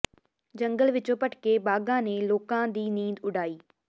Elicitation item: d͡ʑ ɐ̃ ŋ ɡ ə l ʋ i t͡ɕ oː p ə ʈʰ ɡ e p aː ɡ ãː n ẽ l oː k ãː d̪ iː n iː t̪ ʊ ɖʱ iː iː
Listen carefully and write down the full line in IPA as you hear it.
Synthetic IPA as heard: d͡ʑ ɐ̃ ŋ ɡ ə l ʋ ɪ t͡ɕ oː p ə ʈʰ k e b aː ɡ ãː n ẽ l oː k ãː d̪ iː n iː d̪ ʊ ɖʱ aː iː